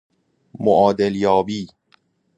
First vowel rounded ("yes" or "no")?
yes